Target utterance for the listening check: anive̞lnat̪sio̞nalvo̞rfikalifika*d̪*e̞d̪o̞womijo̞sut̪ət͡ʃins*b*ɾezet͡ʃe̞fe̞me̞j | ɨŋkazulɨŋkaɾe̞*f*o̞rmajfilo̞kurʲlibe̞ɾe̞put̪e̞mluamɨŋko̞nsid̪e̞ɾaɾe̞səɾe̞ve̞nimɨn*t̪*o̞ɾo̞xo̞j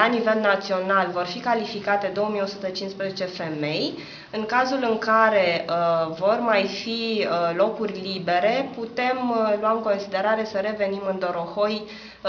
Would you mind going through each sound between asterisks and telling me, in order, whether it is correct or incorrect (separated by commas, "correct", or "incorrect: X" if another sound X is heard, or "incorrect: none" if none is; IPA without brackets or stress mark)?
incorrect: t̪, incorrect: p, incorrect: v, incorrect: d̪